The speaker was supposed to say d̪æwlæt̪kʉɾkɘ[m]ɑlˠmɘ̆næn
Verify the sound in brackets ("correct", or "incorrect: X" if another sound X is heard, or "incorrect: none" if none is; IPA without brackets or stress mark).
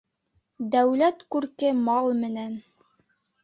correct